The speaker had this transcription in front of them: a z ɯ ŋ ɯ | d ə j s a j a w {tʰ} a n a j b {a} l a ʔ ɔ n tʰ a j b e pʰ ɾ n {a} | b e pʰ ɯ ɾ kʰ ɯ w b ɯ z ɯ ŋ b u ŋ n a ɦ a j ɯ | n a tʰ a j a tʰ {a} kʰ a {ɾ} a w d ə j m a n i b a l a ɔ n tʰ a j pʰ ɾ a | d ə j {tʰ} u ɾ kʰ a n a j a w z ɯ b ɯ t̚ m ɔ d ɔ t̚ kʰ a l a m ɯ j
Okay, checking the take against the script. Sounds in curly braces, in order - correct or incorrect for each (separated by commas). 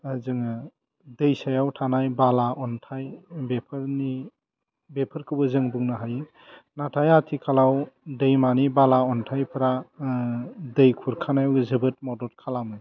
correct, correct, incorrect, incorrect, incorrect, incorrect